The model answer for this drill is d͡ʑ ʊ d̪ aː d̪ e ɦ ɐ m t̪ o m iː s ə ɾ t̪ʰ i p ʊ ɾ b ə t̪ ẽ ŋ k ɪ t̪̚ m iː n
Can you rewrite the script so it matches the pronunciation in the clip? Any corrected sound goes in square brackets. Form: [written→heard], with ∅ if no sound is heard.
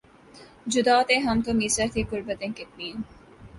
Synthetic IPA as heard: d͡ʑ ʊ d̪ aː [d̪→t̪] e ɦ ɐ m t̪ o m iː s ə ɾ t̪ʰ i [p→k] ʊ ɾ b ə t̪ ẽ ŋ k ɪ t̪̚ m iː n